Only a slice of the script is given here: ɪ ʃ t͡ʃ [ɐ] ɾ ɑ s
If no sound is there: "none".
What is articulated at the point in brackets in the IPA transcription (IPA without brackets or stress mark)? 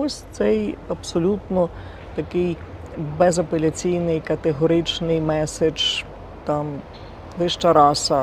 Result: ɐ